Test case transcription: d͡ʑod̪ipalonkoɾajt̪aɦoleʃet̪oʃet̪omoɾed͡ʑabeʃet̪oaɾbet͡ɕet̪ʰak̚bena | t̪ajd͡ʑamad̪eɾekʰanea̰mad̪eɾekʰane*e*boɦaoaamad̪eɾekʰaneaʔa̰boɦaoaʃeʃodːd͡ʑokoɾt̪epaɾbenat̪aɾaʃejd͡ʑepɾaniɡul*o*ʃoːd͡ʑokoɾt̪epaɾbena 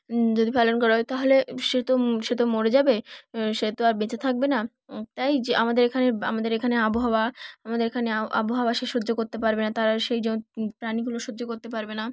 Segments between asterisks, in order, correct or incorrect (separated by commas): incorrect, correct